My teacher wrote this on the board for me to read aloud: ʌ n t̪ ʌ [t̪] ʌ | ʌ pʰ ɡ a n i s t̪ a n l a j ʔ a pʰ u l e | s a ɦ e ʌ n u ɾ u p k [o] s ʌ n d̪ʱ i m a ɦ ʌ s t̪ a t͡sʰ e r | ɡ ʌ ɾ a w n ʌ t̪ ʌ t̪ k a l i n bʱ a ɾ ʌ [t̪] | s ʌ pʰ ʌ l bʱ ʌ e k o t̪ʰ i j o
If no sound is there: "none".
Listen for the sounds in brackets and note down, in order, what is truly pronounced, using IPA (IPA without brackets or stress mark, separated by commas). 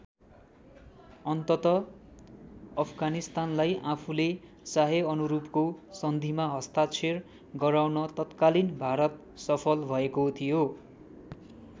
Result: t̪, o, t̪